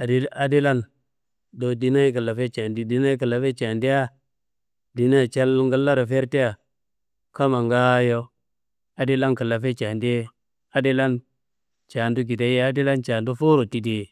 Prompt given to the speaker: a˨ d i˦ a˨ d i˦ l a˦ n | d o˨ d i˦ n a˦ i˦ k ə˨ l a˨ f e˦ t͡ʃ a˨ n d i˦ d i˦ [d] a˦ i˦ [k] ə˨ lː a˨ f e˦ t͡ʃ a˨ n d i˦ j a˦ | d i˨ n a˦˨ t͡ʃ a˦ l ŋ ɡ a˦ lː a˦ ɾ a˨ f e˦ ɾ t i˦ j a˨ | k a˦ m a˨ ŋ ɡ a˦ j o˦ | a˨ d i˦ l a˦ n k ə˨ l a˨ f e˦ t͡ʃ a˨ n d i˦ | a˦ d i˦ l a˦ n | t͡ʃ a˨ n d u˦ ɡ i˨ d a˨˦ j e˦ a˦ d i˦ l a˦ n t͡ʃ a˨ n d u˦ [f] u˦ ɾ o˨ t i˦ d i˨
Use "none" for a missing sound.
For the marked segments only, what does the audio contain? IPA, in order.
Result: n, k, f

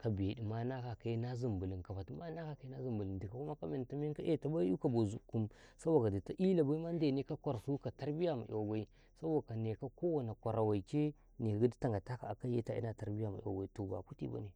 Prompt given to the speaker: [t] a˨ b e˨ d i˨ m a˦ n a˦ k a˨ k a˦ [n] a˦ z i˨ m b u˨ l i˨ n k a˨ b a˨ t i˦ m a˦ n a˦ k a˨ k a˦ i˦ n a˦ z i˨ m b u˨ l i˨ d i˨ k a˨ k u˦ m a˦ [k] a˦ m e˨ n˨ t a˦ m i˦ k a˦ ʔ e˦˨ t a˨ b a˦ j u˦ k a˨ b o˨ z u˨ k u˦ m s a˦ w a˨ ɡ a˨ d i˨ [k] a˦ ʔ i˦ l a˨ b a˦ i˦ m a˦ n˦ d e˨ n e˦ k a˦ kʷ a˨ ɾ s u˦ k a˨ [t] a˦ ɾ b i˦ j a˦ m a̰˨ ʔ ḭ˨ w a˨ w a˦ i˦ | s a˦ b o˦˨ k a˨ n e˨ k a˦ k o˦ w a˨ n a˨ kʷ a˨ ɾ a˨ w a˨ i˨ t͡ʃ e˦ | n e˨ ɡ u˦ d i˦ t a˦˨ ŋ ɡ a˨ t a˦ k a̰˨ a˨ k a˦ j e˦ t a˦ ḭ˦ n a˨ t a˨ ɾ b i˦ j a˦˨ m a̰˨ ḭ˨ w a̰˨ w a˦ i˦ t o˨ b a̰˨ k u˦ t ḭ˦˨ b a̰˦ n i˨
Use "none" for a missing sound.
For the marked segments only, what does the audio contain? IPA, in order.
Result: k, n, k, t, t

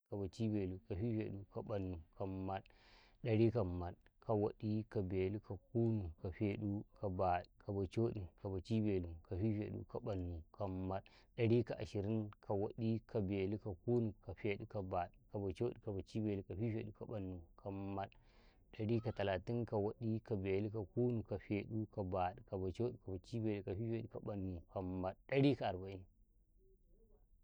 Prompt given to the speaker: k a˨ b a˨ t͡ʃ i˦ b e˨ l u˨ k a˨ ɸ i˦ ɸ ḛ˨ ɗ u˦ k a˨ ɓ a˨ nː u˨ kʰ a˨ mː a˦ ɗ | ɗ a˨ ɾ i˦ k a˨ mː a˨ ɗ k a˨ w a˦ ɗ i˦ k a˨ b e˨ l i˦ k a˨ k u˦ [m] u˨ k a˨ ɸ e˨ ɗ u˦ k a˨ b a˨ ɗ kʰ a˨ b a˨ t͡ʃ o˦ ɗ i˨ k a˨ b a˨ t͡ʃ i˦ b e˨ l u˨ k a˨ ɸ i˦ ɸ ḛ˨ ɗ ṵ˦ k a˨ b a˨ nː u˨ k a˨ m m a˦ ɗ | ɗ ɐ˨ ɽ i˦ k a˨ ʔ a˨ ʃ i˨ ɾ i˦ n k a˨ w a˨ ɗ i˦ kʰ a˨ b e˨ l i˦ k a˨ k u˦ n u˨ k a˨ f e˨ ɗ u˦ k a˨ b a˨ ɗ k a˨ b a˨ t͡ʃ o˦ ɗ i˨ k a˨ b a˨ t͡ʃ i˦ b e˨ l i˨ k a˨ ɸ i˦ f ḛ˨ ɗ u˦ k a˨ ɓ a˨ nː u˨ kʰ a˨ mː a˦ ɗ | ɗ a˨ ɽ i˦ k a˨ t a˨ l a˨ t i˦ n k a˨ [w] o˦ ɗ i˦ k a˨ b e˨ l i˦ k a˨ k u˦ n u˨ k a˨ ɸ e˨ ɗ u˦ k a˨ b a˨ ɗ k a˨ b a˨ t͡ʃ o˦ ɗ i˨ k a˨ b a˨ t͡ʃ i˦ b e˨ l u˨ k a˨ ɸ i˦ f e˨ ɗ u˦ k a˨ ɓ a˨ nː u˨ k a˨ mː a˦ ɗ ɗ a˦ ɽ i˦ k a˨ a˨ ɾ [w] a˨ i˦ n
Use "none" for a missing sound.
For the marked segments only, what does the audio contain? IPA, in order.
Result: n, w, b

